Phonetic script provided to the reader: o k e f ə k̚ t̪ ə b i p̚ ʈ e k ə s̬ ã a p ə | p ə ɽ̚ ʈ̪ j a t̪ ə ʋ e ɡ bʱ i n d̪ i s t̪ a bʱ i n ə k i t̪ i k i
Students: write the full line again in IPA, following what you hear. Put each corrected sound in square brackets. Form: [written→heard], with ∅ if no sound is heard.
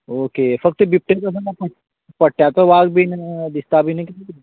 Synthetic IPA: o k e f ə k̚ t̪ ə b i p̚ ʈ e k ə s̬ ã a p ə | p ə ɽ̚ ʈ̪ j a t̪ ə ʋ [e→a] ɡ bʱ i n d̪ i s t̪ a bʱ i n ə k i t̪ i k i

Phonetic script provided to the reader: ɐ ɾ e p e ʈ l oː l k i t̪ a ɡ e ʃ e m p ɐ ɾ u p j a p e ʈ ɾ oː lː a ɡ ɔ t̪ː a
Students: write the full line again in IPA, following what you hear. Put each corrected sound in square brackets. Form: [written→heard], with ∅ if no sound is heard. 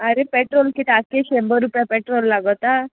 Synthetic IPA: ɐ ɾ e p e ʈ [l→ɾ] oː l k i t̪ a [ɡ→k] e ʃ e m [p→b] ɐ ɾ u p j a p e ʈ ɾ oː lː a ɡ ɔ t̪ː a

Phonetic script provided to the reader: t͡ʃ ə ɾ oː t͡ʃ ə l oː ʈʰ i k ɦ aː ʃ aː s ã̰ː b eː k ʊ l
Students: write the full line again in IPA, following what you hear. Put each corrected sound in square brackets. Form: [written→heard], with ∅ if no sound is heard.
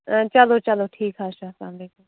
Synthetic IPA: t͡ʃ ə [ɾ→l] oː t͡ʃ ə l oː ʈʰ [i→iː] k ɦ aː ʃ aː s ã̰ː b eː k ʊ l

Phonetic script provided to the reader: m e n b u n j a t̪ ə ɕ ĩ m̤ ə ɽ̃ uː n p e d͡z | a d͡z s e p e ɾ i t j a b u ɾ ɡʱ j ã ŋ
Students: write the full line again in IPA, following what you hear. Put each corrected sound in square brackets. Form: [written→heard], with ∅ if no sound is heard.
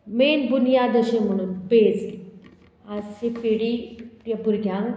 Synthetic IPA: m e n b u n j a [t̪→d̪] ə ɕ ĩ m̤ ə ɽ̃ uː n p e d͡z | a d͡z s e p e [ɾ→ɽ] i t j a b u ɾ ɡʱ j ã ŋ

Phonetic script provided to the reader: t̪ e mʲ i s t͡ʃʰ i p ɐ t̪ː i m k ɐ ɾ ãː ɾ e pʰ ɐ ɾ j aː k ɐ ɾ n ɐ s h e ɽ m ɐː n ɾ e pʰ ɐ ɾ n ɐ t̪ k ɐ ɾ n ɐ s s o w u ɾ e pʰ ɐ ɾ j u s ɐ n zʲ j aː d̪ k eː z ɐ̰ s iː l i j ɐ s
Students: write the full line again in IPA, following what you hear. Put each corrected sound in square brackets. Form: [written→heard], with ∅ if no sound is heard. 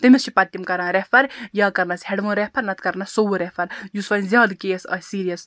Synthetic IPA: t̪ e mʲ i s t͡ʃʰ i p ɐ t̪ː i m k ɐ ɾ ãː ɾ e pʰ ɐ ɾ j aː k ɐ ɾ n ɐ s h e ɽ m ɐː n ɾ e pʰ ɐ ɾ n ɐ t̪ k ɐ ɾ n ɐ s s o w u ɾ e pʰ ɐ ɾ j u s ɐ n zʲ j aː d̪ k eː [z→s] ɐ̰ s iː [l→ɾ] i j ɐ s

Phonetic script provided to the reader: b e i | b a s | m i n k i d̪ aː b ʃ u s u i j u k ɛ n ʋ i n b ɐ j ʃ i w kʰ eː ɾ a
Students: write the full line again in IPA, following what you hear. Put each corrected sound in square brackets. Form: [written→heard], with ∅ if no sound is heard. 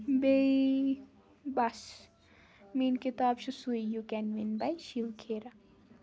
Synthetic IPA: b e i | b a s | m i n k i [d̪→t̪] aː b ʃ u s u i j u k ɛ n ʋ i n b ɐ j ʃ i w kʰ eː ɾ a

